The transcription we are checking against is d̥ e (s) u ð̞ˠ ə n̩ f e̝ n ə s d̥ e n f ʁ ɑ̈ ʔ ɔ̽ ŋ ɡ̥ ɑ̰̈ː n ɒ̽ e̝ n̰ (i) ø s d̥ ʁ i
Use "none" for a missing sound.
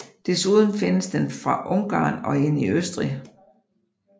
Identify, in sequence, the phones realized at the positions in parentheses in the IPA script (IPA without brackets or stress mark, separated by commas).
s, i